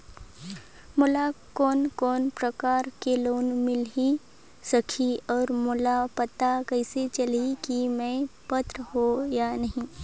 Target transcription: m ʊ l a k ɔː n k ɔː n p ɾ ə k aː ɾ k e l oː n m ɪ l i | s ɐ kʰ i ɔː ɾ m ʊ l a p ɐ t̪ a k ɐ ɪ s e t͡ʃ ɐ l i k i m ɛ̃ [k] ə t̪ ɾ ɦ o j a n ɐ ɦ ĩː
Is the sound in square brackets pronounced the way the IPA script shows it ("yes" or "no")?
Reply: no